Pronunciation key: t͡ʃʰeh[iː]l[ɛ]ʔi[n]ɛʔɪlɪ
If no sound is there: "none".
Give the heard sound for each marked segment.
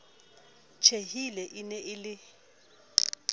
i, ɛ, n

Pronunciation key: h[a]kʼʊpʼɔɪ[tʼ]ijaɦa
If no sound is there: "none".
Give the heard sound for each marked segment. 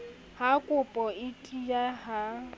a, tʼ

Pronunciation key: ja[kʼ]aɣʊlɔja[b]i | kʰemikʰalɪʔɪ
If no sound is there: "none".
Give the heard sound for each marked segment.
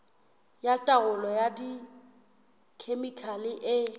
tʼ, d

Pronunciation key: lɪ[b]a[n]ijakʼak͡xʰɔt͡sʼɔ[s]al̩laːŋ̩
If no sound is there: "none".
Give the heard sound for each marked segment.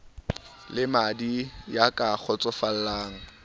m, d, f

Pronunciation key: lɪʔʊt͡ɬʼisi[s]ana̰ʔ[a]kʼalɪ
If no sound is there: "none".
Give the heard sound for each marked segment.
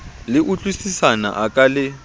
s, a

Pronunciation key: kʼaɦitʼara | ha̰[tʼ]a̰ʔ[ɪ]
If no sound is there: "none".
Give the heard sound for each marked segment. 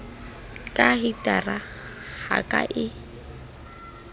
kʼ, ɪ

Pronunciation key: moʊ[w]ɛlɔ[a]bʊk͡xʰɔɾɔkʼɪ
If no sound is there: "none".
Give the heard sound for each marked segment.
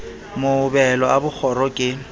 b, a

